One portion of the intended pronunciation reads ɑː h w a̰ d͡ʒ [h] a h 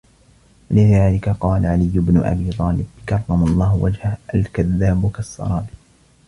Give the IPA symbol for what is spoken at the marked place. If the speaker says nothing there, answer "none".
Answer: h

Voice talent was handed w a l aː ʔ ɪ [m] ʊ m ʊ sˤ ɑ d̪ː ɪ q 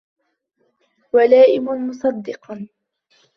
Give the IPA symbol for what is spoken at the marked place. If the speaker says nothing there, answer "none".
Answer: m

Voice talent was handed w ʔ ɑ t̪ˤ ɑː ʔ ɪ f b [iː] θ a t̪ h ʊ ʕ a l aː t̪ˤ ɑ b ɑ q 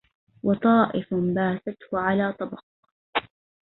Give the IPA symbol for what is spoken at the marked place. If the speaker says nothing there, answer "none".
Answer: aː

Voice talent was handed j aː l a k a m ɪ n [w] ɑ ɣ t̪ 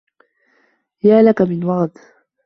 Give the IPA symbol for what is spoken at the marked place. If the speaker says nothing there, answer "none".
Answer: w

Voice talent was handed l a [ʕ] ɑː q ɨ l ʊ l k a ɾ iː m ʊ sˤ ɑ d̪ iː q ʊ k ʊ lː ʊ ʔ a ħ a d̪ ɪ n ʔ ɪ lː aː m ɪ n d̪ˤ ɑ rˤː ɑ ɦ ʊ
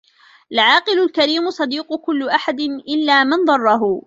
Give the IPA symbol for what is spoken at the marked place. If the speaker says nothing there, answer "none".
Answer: ʕ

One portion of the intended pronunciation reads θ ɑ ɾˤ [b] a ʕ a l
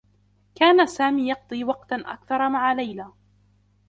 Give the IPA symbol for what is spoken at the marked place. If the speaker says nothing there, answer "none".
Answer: m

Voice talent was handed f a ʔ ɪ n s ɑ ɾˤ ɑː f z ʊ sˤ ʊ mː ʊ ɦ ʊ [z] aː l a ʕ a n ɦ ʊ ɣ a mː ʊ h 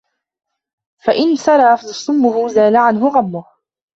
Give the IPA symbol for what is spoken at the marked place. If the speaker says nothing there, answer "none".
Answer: z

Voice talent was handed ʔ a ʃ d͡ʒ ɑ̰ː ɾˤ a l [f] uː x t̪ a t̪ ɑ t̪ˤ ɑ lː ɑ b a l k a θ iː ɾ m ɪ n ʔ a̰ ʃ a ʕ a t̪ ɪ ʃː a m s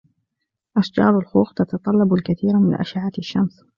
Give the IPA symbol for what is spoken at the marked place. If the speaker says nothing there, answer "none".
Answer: x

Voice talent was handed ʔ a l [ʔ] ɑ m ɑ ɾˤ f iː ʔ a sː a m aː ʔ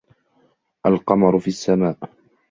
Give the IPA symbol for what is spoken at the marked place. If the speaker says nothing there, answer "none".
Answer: q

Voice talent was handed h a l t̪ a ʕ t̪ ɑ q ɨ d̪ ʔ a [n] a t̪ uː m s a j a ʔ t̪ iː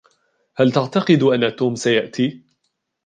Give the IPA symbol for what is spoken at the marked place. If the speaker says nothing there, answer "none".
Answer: nː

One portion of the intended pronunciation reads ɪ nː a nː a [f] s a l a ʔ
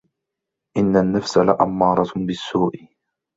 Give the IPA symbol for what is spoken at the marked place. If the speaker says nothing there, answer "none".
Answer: f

